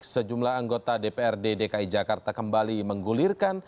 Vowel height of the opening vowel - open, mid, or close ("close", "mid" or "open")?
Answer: mid